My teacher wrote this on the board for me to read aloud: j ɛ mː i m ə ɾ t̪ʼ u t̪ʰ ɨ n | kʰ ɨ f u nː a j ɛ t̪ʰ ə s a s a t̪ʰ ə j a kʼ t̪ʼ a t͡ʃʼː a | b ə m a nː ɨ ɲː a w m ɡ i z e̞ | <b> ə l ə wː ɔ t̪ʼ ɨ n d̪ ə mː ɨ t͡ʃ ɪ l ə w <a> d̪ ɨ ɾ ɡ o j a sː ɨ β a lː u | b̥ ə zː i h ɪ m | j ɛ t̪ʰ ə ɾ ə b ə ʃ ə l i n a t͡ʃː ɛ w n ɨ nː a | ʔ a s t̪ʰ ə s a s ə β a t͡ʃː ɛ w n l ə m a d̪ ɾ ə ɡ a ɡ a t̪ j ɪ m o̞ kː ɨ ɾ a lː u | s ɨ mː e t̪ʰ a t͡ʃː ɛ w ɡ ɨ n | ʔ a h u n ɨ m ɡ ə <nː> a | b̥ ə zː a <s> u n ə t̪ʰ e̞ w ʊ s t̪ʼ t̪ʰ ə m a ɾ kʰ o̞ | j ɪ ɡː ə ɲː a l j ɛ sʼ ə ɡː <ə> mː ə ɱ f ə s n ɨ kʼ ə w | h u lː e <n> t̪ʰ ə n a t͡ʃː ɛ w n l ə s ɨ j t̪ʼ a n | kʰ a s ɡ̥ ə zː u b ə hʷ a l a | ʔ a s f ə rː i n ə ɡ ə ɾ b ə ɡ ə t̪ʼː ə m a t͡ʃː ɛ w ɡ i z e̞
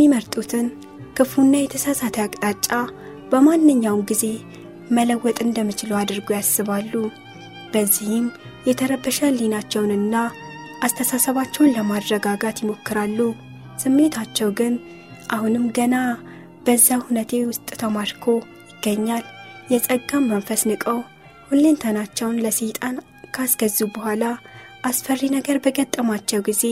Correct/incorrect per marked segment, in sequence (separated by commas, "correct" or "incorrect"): incorrect, correct, incorrect, incorrect, incorrect, correct